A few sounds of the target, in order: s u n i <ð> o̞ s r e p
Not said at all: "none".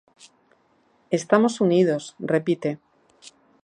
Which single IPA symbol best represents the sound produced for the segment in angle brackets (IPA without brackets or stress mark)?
ð